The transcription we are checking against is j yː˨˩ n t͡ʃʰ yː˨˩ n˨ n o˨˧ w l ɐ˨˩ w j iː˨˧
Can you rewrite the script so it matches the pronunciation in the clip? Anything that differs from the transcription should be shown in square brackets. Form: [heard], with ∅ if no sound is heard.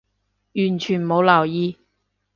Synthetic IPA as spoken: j yː˨˩ n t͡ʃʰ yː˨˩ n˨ [m] o˨˧ w l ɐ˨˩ w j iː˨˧